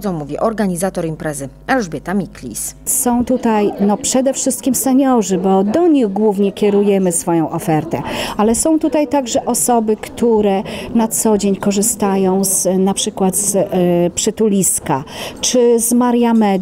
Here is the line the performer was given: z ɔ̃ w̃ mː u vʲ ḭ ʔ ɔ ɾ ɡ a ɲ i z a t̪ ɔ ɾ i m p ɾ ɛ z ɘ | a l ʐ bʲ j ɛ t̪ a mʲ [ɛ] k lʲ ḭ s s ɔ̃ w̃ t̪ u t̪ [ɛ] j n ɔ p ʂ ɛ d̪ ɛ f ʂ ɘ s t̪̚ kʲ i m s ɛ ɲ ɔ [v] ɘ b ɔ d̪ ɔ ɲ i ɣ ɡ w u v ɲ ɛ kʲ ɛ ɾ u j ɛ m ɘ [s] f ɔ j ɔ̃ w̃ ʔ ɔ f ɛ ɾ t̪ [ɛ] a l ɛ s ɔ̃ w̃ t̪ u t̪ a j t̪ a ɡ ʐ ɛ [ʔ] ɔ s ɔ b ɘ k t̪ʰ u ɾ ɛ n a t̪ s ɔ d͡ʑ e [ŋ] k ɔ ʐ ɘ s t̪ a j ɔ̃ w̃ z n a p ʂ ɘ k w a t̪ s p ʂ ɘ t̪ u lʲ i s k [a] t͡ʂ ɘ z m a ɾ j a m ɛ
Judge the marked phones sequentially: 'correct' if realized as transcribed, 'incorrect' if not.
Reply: incorrect: i, incorrect: a, incorrect: ʐ, correct, correct, correct, incorrect: ɲ, correct

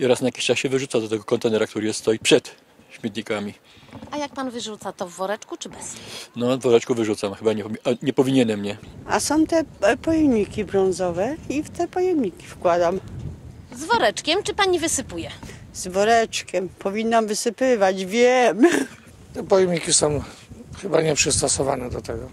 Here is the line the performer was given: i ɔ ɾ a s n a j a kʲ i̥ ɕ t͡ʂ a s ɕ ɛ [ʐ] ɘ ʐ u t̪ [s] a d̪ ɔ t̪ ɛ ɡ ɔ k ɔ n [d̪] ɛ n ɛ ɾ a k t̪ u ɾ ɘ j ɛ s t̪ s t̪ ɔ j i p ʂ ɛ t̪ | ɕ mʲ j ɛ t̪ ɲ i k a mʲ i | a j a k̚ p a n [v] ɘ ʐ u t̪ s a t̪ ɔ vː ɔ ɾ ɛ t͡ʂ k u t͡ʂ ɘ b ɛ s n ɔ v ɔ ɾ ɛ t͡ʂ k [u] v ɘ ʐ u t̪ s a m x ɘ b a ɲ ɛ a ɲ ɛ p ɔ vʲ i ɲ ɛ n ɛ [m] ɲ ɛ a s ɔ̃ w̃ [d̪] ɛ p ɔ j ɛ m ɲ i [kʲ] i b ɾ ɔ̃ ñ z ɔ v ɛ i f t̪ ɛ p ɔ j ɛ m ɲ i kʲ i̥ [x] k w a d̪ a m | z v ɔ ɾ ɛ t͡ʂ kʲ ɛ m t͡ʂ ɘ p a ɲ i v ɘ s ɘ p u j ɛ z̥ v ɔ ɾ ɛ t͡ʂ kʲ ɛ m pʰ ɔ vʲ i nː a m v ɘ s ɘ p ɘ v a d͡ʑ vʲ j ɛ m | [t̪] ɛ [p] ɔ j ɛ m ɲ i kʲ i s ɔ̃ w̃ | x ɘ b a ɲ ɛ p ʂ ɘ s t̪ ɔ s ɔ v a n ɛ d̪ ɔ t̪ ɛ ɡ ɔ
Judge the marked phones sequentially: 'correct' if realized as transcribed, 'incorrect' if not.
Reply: incorrect: v, correct, incorrect: t̪, correct, correct, correct, incorrect: t̪, correct, incorrect: f, correct, correct

